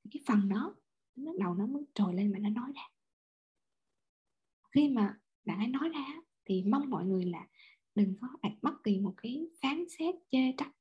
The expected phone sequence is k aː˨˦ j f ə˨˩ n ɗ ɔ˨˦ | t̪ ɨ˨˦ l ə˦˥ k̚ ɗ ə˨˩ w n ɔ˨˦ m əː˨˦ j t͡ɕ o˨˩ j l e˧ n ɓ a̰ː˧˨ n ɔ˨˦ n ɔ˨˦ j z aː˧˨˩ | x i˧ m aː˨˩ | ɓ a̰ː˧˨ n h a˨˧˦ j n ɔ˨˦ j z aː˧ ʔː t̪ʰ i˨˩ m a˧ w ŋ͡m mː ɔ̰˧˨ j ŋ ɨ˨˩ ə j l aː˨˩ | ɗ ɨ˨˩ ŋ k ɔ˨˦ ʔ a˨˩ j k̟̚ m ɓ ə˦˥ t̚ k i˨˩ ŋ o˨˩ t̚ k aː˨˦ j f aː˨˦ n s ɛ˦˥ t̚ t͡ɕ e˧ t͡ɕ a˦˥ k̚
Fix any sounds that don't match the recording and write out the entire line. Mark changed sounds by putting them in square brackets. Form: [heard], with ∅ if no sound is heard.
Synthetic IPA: k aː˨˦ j f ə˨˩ n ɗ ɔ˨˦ | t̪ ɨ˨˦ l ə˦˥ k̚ ɗ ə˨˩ w n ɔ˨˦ m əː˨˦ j t͡ɕ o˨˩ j l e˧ n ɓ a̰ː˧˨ n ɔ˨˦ n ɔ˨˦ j z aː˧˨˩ | x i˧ m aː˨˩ | ɓ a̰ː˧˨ n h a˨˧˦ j n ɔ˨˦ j z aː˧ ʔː t̪ʰ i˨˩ m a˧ w ŋ͡m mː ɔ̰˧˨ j ŋ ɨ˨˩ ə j l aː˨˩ | ɗ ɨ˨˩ ŋ k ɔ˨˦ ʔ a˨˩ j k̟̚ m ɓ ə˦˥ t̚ k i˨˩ [m] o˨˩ t̚ k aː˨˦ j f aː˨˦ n s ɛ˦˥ t̚ t͡ɕ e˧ t͡ɕ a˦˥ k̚